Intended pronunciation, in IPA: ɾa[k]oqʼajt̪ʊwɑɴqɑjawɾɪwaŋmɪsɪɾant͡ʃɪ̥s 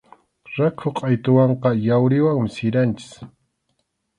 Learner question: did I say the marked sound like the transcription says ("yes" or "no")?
no